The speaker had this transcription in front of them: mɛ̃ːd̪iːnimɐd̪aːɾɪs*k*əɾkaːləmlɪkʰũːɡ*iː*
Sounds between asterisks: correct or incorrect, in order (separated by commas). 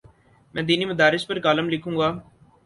incorrect, incorrect